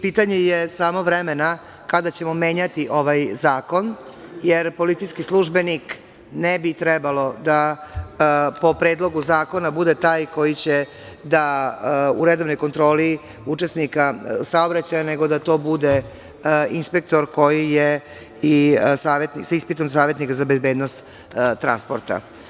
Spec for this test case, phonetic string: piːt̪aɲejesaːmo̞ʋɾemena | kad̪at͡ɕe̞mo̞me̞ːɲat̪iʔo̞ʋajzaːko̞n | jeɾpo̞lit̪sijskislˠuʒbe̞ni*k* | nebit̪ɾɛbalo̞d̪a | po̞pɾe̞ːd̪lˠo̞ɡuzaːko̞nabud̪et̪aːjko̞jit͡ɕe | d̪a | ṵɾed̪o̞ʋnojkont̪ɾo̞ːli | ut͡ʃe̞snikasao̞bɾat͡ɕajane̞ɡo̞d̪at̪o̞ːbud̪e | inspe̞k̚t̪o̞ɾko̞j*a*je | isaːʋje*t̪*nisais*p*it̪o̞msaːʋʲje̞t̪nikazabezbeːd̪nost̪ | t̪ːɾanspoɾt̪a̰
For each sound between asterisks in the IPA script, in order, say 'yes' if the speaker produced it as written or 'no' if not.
yes, no, yes, yes

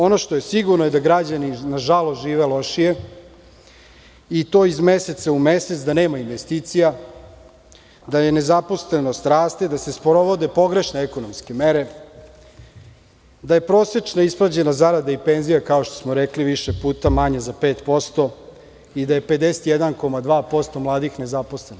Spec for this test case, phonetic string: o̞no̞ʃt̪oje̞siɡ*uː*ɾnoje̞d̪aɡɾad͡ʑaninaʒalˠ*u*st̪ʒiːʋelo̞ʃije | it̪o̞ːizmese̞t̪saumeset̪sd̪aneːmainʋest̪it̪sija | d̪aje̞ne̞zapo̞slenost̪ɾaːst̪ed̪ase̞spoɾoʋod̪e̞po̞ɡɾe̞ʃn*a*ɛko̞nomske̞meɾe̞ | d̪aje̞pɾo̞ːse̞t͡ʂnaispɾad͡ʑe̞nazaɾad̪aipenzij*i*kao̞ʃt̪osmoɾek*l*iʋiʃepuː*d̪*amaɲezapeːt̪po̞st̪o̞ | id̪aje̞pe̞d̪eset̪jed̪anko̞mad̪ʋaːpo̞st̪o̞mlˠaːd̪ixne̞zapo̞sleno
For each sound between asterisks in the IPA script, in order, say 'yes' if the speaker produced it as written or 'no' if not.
no, no, no, no, yes, no

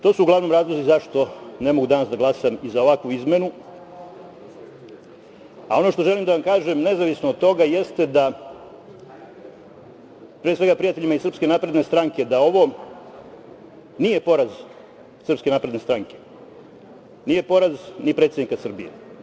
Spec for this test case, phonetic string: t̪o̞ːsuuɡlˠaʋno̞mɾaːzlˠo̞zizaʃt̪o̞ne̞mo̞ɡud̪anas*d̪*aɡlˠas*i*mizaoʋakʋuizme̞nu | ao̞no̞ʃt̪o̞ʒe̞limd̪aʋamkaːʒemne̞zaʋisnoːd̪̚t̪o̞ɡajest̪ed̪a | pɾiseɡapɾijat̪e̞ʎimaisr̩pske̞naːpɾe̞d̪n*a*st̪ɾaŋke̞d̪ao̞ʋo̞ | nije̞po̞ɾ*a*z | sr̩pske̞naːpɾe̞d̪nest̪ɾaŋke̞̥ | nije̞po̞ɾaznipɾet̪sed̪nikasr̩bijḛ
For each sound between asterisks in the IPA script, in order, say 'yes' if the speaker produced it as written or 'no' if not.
yes, no, no, yes

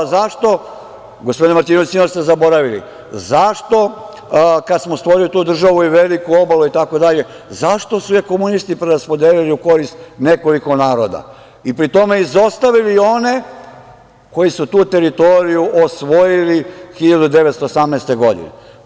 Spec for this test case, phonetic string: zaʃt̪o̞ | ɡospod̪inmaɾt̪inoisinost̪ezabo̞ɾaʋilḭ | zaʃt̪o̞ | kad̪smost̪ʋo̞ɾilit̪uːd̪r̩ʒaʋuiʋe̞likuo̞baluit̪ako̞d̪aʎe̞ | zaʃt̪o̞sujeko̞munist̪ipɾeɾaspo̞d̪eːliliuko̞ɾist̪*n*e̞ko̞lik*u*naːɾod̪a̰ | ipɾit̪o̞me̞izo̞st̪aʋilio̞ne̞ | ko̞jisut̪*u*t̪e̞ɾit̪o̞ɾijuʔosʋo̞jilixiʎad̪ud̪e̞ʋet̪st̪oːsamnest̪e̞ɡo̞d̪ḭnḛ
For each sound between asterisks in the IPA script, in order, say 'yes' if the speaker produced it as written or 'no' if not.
yes, no, no

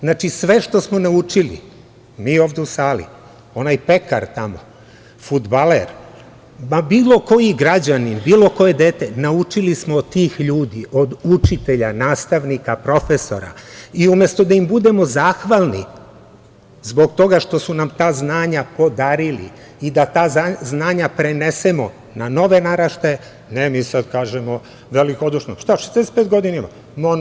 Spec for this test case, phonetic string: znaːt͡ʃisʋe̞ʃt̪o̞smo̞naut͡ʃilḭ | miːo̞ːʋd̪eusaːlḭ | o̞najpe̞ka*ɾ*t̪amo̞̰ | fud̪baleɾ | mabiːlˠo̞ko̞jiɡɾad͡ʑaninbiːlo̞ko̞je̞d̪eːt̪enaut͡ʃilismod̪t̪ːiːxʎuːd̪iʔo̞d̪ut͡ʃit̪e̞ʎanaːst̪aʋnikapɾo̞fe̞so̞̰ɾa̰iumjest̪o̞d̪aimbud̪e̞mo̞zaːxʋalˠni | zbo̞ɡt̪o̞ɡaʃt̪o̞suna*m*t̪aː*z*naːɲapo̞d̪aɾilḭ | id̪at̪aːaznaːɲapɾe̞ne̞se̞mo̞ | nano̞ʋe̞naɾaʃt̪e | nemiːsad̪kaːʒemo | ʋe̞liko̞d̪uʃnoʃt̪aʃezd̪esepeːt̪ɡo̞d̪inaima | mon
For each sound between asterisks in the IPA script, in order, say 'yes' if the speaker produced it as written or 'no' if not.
yes, yes, yes

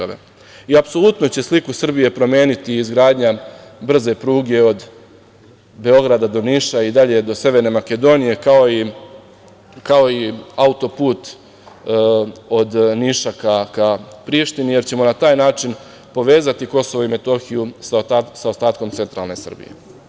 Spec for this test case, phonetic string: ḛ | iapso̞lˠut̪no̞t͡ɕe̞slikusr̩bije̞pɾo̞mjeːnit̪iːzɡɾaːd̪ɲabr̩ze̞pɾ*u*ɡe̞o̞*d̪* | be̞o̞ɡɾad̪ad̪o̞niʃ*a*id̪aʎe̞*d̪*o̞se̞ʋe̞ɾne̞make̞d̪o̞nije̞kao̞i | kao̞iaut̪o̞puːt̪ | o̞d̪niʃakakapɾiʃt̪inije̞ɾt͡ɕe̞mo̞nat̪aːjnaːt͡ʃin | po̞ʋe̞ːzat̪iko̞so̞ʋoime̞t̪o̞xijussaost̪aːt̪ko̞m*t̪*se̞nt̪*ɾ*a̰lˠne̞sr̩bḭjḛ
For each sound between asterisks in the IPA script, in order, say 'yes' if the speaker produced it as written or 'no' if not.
no, yes, yes, yes, yes, yes

